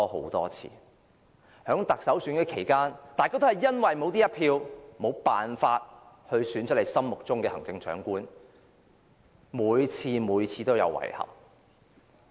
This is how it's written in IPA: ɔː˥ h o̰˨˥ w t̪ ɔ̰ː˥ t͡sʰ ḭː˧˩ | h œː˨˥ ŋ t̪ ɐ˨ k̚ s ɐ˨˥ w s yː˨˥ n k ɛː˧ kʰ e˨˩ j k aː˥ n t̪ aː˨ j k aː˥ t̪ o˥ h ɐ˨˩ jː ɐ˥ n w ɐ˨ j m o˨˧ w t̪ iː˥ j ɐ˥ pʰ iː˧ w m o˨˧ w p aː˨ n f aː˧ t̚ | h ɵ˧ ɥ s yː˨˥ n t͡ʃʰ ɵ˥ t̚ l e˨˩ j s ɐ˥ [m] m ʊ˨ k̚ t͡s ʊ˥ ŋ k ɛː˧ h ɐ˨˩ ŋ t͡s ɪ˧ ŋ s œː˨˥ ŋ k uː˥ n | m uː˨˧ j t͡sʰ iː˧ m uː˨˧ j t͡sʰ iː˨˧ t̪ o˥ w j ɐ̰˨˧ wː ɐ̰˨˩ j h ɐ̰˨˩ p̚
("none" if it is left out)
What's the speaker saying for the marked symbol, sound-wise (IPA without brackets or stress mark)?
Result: m